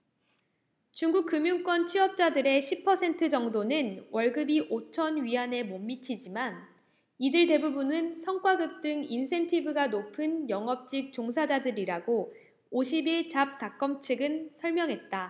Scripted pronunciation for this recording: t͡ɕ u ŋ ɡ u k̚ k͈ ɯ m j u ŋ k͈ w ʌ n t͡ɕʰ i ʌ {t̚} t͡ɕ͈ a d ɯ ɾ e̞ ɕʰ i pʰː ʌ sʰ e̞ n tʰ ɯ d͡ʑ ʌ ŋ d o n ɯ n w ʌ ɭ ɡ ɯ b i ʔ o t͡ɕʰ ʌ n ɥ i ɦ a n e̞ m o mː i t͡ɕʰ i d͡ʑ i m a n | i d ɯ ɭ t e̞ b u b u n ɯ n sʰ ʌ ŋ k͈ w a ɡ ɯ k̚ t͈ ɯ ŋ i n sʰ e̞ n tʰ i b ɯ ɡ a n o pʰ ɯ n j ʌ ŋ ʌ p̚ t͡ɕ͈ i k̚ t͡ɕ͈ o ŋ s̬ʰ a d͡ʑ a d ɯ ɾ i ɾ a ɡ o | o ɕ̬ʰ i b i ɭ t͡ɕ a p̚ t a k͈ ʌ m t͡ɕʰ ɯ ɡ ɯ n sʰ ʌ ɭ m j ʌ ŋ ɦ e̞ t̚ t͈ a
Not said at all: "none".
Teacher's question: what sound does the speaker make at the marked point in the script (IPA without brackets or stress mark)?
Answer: p̚